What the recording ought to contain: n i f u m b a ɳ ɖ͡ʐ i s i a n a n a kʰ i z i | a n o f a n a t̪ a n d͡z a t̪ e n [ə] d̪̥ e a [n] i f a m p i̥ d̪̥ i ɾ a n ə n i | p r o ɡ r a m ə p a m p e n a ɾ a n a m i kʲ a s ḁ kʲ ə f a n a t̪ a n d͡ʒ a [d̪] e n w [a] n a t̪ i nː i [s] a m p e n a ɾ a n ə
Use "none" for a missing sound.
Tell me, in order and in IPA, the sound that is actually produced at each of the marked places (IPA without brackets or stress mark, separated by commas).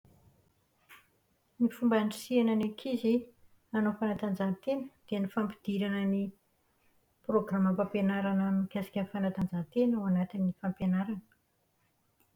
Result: ə, n, t̪, a, f